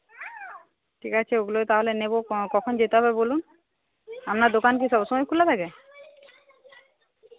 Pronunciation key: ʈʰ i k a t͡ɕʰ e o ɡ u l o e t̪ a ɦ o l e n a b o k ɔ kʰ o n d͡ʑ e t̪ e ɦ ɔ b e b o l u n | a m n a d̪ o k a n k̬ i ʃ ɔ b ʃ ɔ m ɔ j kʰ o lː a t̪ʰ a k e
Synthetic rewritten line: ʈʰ i k a t͡ɕʰ e o ɡ u l o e t̪ a ɦ o l e n e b o k ɔ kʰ o n d͡ʑ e t̪ e ɦ ɔ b e b o l u n | a m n a d̪ o k a n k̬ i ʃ ɔ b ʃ ɔ m ɔ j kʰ u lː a t̪ʰ a k e